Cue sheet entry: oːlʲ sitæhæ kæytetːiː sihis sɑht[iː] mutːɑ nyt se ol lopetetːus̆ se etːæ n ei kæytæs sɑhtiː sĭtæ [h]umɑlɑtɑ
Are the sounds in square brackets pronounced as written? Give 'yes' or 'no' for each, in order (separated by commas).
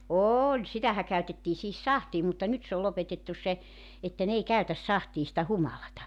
yes, yes